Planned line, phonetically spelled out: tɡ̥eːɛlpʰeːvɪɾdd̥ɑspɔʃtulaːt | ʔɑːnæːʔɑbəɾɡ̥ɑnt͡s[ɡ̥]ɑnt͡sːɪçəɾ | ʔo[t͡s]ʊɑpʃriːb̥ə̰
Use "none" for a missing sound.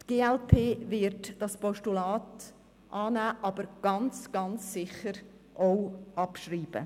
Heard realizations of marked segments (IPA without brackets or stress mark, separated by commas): ɡ̥, none